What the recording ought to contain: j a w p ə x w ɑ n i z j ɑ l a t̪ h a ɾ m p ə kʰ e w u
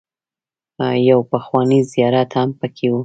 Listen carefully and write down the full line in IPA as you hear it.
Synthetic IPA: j a w p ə x w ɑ n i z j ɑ ɾ a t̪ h a m p ə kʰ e w u